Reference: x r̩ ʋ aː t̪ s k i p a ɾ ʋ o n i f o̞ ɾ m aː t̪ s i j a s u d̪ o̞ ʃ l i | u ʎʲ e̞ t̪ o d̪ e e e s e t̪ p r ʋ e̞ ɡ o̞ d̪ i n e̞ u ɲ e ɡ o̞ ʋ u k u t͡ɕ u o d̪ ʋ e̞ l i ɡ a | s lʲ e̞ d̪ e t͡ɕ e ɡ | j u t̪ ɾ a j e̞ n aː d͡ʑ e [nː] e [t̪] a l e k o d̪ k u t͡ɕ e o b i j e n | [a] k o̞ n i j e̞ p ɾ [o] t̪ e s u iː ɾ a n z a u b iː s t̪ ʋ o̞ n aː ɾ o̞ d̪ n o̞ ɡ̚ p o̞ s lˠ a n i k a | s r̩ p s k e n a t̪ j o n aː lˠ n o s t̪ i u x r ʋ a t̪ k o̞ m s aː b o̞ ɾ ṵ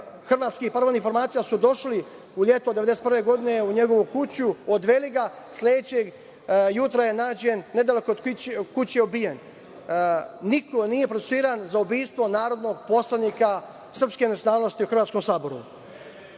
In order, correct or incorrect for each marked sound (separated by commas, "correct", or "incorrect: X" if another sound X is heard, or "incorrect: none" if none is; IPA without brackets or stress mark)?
correct, incorrect: d̪, incorrect: i, correct